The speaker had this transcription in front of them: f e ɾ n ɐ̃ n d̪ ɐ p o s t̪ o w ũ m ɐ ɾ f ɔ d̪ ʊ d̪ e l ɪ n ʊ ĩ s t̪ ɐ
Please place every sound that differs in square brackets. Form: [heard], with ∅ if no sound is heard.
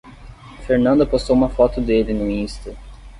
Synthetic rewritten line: f e ɾ n ɐ̃ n d̪ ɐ p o s t̪ o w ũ m ɐ [∅] f ɔ [t̪] ʊ d̪ e l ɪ n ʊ ĩ s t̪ ɐ

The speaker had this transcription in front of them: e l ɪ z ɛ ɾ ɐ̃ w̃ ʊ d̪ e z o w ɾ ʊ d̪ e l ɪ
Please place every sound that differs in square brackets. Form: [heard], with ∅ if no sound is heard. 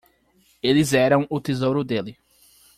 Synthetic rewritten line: e l ɪ z ɛ ɾ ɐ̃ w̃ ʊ [t̪] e z o w ɾ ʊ d̪ e l ɪ

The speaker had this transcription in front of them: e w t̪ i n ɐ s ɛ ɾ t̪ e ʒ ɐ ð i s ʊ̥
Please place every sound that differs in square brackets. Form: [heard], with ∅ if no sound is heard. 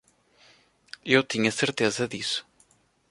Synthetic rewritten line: e w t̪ i [ɲ] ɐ s [e] ɾ t̪ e [z] ɐ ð i s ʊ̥

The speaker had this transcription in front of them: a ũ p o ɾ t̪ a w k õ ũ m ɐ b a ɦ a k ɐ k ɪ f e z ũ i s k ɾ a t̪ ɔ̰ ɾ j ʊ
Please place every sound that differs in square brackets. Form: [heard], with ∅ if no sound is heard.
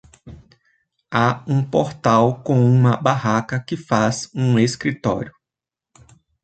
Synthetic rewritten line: a ũ p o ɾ t̪ a w k õ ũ m ɐ b a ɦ a k ɐ k ɪ f [a] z ũ [e] s k ɾ [i] t̪ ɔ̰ ɾ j ʊ

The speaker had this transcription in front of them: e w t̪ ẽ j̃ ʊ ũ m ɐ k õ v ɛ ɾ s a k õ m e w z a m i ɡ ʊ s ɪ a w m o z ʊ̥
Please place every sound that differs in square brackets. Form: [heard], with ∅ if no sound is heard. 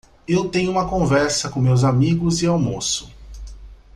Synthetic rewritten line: e w t̪ ẽ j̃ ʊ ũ m ɐ k õ v ɛ ɾ s [ɐ] k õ m e w z a m i ɡ ʊ [z] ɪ a w m o [s] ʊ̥

